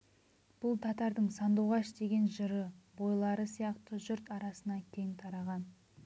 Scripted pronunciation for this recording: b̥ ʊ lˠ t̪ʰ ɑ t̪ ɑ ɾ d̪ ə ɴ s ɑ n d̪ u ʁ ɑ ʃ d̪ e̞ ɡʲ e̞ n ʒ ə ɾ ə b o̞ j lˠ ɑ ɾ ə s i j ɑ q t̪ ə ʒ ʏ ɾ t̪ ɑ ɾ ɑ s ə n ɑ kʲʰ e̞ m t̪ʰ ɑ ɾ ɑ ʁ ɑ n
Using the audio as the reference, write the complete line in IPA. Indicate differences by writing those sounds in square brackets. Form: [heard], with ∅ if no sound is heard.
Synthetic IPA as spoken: b̥ ʊ lˠ t̪ʰ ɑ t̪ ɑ ɾ d̪ ə ɴ s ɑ n d̪ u ʁ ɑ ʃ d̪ e̞ ɡʲ e̞ n ʒ ə ɾ ə b o̞ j lˠ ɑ ɾ ə s i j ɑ q t̪ ə ʒ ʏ ɾ t̪ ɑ ɾ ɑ s ə n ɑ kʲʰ e̞ [ŋ] t̪ʰ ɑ ɾ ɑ ʁ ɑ n